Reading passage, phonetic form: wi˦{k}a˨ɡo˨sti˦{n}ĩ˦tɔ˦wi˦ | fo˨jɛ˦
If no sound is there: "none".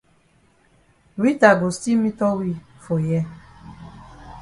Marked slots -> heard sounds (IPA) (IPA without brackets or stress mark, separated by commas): t, m